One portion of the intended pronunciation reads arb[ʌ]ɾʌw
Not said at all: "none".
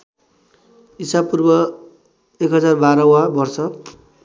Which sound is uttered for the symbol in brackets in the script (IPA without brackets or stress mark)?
a